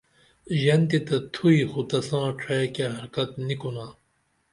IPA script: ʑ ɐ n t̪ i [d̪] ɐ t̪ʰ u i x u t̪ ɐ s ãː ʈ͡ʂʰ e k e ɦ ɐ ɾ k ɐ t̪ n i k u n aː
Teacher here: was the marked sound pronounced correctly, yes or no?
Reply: no